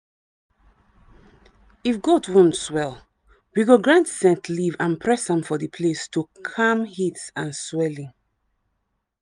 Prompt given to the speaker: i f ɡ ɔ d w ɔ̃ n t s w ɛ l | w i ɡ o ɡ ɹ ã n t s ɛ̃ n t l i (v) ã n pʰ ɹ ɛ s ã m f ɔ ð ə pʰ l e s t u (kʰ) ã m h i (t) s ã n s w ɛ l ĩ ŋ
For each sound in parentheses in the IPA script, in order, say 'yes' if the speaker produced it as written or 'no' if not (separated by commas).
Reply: yes, yes, yes